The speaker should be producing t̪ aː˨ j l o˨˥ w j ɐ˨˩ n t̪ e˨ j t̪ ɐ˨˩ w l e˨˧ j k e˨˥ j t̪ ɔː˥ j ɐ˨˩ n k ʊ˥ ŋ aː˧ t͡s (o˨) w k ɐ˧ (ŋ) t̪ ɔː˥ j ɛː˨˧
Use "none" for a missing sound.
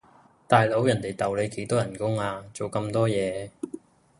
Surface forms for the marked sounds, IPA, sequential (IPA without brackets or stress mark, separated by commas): o˨, m